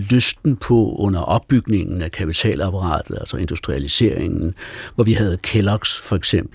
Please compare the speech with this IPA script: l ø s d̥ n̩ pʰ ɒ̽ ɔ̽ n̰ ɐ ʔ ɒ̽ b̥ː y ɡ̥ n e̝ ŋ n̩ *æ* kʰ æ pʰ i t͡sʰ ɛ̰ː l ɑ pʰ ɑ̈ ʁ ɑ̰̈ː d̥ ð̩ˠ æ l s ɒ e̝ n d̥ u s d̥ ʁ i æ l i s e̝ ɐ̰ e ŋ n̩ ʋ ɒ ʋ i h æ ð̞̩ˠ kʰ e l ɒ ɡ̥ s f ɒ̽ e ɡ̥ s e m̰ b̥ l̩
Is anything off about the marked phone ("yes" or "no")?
no